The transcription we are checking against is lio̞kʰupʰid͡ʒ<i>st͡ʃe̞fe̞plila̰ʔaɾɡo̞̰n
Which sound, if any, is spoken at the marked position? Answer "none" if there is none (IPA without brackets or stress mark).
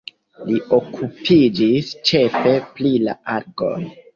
i